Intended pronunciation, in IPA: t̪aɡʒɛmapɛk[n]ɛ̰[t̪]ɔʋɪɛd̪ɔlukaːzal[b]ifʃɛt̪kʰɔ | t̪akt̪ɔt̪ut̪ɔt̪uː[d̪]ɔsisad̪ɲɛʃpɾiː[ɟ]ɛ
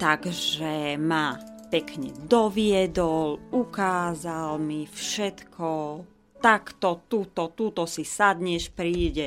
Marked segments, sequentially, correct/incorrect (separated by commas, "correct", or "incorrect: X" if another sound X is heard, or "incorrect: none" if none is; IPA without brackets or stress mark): incorrect: ɲ, incorrect: d̪, incorrect: m, incorrect: t̪, correct